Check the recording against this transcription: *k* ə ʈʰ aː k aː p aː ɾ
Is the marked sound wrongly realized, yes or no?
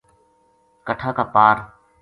no